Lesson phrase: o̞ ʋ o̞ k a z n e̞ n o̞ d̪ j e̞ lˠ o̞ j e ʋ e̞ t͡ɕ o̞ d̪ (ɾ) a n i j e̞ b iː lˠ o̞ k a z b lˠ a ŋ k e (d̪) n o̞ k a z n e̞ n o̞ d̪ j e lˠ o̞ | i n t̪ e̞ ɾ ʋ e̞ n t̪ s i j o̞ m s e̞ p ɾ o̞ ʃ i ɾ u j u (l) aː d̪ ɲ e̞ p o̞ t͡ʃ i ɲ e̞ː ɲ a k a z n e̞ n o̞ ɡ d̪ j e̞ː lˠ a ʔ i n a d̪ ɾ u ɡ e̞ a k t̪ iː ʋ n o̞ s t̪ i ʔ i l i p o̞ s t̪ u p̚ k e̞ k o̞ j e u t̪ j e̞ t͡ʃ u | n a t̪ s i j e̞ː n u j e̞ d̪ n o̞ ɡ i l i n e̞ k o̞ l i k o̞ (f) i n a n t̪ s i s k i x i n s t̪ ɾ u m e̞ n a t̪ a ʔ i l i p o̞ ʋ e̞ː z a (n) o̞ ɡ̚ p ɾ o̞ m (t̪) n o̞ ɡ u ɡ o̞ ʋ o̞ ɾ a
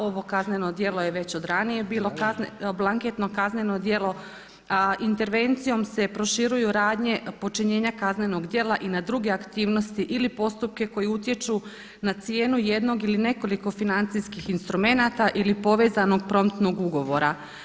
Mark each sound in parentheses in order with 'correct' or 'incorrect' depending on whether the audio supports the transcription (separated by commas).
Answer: correct, incorrect, incorrect, correct, correct, correct